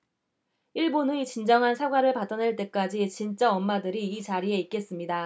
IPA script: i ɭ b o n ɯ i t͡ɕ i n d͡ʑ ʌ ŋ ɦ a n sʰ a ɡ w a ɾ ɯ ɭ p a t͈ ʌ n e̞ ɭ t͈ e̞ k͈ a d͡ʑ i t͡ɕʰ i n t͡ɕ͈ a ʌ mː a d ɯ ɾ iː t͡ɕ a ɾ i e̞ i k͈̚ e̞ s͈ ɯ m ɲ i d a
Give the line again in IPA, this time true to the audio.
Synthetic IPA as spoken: i ɭ b o n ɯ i t͡ɕ i n d͡ʑ ʌ ŋ ɦ a n sʰ a ɡ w a ɾ ɯ ɭ p a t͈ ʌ n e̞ ɭ t͈ e̞ k͈ a d͡ʑ i t͡ɕ i n t͡ɕ͈ a ʌ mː a d ɯ ɾ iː t͡ɕ a ɾ i e̞ i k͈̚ e̞ s͈ ɯ m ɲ i d a